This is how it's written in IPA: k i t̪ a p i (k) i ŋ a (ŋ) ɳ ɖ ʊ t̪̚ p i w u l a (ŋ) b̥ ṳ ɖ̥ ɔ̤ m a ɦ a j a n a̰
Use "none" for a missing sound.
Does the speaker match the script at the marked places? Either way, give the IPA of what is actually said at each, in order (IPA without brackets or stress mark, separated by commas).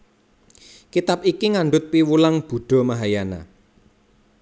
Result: k, none, ŋ